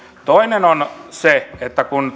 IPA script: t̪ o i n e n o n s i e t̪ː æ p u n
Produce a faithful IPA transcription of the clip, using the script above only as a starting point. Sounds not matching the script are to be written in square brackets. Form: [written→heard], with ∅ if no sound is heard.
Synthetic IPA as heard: t̪ o i n e n o n s [i→e] e t̪ː æ [p→k] u n